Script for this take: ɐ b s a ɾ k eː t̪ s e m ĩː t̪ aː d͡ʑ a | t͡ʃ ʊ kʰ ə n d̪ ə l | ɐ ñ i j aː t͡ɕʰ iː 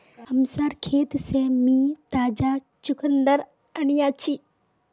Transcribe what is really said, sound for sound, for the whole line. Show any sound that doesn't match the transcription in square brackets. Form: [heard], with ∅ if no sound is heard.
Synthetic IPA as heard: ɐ [m] s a ɾ [kʰ] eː t̪ s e m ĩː t̪ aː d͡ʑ a | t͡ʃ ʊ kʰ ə n d̪ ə [ɾ] | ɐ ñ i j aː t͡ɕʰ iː